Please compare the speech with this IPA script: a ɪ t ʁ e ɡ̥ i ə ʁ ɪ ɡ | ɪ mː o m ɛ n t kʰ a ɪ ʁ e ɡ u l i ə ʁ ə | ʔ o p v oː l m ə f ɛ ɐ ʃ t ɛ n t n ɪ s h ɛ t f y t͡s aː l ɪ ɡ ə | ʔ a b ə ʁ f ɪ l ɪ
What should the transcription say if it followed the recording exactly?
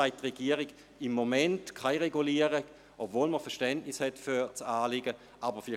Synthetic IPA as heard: a ɪ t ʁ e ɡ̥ i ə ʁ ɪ ɡ | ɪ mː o m ɛ n t kʰ a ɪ ʁ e ɡ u l i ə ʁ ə | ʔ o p v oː l m ə f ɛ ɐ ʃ t ɛ n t n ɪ s h ɛ t f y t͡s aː l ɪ ɡ ə | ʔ a b ə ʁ f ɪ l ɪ